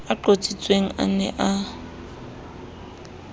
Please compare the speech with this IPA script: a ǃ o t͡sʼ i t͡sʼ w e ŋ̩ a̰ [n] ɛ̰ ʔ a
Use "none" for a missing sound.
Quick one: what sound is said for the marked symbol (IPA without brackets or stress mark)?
n